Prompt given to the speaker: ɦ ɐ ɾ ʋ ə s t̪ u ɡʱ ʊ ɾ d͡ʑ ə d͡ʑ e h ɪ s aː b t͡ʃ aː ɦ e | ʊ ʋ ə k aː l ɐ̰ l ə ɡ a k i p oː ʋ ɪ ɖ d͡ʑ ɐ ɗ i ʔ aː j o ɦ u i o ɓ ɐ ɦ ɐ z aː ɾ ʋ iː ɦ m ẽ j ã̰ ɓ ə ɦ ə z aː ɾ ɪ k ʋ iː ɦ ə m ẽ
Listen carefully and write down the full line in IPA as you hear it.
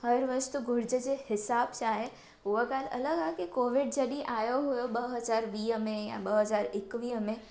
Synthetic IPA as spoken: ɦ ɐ ɾ ʋ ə s t̪ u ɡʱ ʊ ɾ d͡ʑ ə d͡ʑ e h ɪ s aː b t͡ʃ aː ɦ e | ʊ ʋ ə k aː l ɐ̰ l ə ɡ a k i k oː ʋ ɪ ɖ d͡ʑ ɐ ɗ i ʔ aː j o ɦ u j o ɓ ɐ ɦ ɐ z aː ɾ ʋ iː ɦ m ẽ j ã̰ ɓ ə ɦ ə z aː ɾ ɪ k ʋ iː ɦ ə m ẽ